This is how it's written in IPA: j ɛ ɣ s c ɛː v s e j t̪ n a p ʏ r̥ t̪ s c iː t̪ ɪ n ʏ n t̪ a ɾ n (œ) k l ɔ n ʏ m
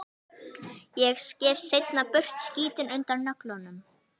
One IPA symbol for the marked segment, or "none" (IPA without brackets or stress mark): œ